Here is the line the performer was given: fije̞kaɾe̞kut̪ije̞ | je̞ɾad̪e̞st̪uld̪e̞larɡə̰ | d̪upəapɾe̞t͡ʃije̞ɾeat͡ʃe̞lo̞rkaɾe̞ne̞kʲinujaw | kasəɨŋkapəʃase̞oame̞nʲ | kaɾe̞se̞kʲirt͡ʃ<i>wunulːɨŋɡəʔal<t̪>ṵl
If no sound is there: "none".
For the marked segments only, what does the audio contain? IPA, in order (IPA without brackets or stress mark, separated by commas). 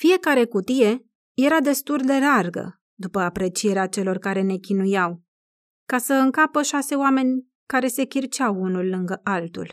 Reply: a, t̪